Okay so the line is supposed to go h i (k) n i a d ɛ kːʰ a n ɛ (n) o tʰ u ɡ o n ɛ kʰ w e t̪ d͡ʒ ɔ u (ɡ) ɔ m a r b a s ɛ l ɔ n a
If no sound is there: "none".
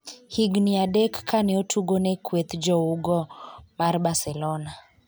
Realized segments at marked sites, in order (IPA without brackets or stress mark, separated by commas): ɡ, none, ɡ